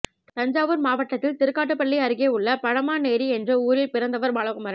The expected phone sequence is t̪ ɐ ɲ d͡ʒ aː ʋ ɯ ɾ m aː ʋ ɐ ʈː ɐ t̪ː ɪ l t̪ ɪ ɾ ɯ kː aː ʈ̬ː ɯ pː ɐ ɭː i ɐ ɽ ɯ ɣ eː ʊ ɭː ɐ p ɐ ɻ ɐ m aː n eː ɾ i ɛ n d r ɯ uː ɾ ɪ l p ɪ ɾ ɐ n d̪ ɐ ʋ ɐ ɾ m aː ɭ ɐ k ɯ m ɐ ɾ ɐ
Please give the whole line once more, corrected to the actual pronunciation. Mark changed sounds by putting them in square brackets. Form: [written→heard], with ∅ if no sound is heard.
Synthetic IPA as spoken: t̪ ɐ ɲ d͡ʒ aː ʋ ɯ ɾ m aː ʋ ɐ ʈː ɐ t̪ː ɪ l t̪ ɪ ɾ ɯ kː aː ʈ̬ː ɯ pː ɐ ɭː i ɐ [ɽ→ɾ] ɯ ɣ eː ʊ ɭː ɐ p ɐ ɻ ɐ m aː n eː ɾ i ɛ n d r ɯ uː ɾ ɪ l p ɪ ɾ ɐ n d̪ ɐ ʋ ɐ ɾ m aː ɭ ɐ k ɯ m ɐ ɾ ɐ